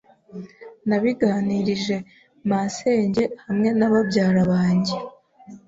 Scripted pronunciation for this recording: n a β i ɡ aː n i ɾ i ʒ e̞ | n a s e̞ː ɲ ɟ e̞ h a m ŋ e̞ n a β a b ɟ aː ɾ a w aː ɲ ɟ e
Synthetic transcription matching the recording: n a β i ɡ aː n i ɾ i ʒ e̞ | m a s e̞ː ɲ ɟ e̞ h a m ŋ e̞ n a β a b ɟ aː ɾ a β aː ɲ ɟ e